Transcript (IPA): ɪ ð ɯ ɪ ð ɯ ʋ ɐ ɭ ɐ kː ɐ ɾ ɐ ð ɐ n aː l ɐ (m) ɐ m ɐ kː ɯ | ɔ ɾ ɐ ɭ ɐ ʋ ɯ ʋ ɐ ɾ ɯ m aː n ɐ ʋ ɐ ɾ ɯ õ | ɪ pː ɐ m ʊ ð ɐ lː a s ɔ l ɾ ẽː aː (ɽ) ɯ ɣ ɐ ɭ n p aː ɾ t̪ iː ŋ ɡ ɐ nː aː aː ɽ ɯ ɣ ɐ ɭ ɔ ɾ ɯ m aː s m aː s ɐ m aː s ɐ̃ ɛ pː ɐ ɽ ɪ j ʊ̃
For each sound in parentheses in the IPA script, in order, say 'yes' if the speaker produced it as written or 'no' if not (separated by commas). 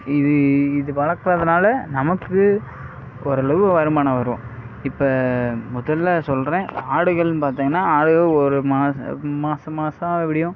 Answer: no, yes